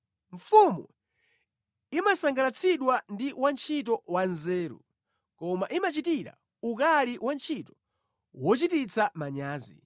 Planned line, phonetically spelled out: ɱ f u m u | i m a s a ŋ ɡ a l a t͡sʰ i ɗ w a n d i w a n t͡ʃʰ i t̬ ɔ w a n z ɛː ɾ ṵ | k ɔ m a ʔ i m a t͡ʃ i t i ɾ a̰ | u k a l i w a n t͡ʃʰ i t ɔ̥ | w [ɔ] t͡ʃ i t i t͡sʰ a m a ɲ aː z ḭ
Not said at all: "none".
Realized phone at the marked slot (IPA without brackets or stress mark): ɔ